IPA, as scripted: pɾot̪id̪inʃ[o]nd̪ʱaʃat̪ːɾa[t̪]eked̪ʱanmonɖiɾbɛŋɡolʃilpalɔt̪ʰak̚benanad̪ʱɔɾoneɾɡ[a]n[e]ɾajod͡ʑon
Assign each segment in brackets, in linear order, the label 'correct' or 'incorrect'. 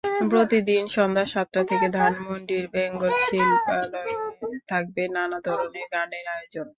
incorrect: ɔ, incorrect: t̪ʰ, correct, correct

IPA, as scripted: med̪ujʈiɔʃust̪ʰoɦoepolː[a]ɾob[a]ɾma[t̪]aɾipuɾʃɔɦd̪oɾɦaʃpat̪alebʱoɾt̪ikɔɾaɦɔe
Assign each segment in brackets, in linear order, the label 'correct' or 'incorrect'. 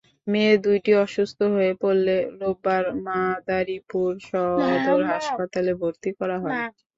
incorrect: e, correct, incorrect: d̪

